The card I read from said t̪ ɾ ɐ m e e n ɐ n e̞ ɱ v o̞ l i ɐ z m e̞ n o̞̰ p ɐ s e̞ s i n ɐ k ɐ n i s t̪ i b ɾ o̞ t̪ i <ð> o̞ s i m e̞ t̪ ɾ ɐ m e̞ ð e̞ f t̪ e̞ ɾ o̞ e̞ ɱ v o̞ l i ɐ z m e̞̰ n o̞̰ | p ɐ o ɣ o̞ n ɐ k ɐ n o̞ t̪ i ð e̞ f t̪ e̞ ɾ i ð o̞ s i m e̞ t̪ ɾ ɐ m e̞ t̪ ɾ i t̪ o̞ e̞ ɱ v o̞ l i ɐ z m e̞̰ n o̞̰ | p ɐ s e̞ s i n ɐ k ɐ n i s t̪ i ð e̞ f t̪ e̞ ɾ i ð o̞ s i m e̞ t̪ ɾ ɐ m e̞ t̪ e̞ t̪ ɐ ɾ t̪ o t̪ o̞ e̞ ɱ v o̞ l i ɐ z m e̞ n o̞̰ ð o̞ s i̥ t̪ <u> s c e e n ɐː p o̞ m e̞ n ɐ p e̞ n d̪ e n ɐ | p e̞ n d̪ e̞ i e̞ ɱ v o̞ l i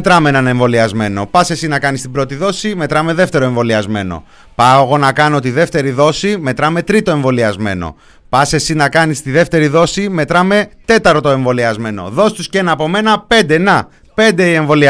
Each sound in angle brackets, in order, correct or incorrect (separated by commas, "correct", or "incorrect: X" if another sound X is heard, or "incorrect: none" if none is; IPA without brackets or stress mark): correct, correct